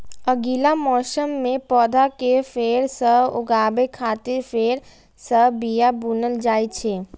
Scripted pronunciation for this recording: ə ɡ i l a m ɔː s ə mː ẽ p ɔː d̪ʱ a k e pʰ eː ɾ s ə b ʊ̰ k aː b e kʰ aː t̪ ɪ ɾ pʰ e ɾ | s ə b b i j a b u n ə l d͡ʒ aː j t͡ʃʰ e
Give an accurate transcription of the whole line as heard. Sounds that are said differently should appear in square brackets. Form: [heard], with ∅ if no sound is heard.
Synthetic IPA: ə ɡ i l a m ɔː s ə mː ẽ p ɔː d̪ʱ a k e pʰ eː ɾ s ə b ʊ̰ [ɡ] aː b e kʰ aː t̪ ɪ ɾ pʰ e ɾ | s ə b b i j a b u n ə l d͡ʒ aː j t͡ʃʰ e